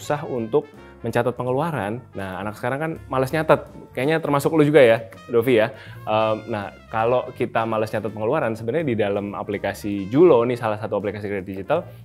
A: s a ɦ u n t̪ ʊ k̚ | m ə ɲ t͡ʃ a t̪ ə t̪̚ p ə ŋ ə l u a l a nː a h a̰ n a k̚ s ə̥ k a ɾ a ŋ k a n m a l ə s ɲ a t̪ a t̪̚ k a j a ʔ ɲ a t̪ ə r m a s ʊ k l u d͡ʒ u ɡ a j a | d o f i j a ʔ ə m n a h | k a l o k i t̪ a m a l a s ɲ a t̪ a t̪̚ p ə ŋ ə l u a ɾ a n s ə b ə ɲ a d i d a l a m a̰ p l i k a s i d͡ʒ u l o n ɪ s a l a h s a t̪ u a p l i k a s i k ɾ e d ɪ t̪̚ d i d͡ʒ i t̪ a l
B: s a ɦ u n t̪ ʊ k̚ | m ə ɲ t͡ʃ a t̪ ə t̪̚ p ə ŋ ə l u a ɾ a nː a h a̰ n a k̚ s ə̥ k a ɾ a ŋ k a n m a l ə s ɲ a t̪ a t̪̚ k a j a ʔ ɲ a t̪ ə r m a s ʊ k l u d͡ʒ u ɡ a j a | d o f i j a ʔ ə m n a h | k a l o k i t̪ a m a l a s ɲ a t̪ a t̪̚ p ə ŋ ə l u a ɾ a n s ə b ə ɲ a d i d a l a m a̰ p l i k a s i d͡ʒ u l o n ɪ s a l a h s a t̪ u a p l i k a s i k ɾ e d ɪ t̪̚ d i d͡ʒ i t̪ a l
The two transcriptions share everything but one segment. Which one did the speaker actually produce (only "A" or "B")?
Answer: B